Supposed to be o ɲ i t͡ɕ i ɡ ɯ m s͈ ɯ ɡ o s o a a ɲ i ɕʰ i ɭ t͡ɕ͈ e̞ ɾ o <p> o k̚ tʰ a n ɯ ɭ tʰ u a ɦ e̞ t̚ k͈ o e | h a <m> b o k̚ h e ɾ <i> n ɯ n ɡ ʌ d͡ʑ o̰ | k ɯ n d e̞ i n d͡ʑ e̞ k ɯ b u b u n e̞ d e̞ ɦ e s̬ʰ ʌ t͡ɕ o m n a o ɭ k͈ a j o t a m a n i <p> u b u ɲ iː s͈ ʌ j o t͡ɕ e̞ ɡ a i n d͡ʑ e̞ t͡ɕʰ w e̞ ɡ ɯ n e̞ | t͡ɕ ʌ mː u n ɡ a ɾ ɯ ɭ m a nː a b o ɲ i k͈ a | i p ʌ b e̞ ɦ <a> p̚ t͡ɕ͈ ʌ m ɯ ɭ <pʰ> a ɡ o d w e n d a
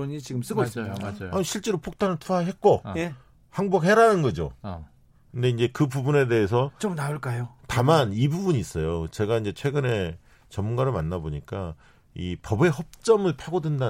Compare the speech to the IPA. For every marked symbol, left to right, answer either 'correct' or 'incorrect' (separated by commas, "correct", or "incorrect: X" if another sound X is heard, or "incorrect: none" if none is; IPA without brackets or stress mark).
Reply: incorrect: pʰ, incorrect: ŋ, incorrect: a, incorrect: b, incorrect: ʌ, correct